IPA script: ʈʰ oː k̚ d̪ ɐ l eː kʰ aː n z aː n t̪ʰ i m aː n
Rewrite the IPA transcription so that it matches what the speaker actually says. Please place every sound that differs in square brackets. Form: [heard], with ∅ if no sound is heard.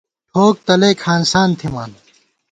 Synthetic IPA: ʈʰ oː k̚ [t̪] ɐ l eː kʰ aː n [s] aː n t̪ʰ i m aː n